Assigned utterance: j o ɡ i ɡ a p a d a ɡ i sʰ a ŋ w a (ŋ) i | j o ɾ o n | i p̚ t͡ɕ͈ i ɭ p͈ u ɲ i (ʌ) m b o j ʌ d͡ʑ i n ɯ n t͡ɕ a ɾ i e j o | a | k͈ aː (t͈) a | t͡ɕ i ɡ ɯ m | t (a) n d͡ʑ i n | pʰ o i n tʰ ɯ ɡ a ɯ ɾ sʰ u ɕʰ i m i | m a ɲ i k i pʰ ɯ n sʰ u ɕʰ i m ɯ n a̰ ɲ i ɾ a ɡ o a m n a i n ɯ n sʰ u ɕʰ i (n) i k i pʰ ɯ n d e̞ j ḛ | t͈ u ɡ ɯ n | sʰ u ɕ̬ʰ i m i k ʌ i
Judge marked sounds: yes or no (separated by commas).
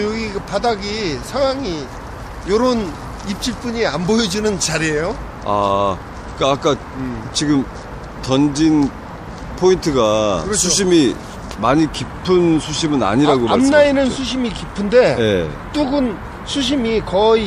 yes, no, no, no, no